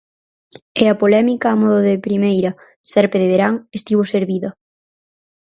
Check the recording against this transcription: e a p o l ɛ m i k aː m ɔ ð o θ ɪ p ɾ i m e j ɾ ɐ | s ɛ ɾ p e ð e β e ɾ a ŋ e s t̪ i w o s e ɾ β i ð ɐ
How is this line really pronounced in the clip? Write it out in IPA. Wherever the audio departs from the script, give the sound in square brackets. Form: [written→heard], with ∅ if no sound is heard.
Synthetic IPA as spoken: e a p o l ɛ m i k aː m ɔ ð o [θ→ð] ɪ p ɾ i m e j ɾ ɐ | s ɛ ɾ p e ð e β e ɾ a ŋ e s t̪ i [w→β] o s e ɾ β i ð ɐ